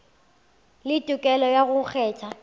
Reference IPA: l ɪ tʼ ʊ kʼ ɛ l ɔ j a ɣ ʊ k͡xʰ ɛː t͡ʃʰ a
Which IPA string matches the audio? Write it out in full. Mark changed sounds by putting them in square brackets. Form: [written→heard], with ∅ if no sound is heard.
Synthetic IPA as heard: l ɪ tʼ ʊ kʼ ɛ l ɔ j a ɣ ʊ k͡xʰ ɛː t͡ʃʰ a